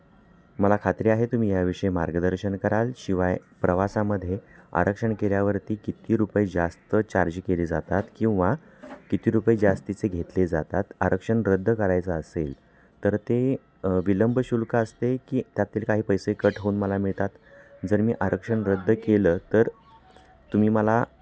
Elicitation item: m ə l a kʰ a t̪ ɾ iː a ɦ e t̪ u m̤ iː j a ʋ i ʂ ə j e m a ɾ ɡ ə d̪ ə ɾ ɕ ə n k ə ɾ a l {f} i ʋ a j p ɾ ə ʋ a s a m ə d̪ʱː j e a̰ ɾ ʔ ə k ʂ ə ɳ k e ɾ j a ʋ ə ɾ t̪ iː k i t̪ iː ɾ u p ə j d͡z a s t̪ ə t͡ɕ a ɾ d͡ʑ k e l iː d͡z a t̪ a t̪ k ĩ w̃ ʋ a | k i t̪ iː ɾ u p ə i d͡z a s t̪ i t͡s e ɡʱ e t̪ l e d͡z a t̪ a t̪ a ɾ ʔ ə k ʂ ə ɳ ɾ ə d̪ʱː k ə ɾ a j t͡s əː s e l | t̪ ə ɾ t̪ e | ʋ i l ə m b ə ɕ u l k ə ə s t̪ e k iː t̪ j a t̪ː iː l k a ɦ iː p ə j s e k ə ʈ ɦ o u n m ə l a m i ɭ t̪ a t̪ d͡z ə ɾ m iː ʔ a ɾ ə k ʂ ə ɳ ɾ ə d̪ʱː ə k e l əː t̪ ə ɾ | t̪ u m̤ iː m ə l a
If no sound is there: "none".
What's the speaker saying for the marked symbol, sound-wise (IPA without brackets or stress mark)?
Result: ɕ